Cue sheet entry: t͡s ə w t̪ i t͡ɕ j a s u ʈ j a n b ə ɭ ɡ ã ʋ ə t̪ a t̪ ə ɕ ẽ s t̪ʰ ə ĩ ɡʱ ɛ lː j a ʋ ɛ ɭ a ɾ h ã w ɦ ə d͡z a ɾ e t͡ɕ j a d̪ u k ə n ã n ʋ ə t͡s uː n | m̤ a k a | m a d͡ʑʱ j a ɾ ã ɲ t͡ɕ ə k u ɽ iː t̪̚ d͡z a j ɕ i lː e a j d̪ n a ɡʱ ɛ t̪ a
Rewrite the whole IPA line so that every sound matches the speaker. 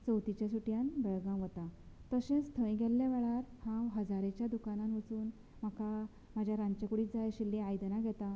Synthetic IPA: t͡s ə w t̪ i t͡ɕ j a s u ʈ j a n b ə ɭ ɡ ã ʋ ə t̪ a t̪ ə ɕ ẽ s t̪ʰ ə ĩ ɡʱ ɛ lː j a ʋ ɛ ɭ a ɾ h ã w ɦ ə d͡z a ɾ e t͡ɕ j a d̪ u k a n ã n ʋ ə t͡s uː n | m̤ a k a | m a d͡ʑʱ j a ɾ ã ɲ t͡ɕ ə k u ɽ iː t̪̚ d͡z a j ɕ i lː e a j d̪ n a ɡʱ ɛ t̪ a